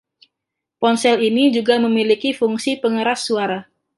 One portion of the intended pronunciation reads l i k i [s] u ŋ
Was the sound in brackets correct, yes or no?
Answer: no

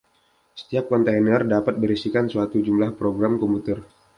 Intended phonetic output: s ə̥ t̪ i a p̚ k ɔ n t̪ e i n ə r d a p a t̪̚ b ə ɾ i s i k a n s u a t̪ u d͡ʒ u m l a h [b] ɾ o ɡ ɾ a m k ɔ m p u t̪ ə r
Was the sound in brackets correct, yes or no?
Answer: no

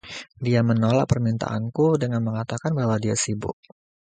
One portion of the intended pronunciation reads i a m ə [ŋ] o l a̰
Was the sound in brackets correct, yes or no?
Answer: no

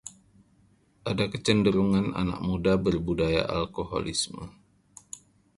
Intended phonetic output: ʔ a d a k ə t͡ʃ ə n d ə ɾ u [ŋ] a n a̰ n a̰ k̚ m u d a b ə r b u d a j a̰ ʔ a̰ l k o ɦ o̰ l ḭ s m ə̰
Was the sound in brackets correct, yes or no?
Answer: yes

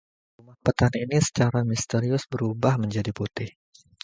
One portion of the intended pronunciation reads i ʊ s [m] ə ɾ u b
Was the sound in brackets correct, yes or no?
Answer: no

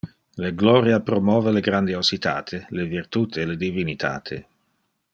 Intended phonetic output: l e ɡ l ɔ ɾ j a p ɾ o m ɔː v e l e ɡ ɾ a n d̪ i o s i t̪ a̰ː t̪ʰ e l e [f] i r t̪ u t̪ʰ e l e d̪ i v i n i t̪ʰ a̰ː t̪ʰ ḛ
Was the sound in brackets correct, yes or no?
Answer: no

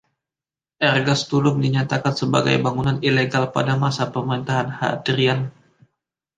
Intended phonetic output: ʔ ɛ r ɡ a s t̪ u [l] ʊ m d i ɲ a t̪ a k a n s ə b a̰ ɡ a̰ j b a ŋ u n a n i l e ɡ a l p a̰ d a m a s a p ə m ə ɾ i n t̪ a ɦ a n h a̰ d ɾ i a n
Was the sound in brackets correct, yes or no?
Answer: yes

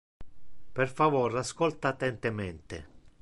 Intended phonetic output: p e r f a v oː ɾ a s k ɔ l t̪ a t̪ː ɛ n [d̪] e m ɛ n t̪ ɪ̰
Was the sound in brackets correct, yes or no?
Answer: no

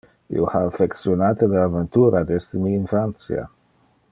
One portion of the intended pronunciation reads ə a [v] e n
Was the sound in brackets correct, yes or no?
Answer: yes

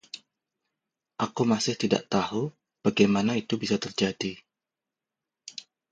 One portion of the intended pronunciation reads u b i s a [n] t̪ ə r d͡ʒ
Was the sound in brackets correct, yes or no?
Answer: no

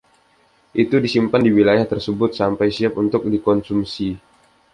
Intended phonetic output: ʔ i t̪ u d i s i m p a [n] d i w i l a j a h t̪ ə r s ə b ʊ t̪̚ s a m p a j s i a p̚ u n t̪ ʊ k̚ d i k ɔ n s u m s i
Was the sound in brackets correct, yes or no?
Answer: yes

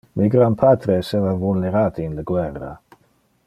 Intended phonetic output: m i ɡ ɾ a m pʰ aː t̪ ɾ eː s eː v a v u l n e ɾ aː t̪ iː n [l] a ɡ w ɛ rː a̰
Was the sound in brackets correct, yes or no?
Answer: yes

